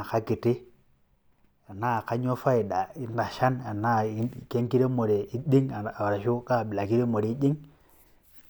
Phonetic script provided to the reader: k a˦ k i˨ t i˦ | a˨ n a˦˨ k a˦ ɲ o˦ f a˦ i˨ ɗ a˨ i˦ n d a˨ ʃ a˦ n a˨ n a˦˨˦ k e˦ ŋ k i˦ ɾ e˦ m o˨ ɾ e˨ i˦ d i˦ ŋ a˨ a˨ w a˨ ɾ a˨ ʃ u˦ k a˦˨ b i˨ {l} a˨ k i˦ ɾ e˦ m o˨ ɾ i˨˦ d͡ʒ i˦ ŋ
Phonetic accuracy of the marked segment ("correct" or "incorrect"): correct